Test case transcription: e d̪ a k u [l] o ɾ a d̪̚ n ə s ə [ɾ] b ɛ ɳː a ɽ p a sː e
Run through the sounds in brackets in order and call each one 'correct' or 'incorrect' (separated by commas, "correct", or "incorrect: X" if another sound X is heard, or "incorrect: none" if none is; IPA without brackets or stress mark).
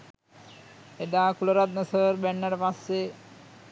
correct, correct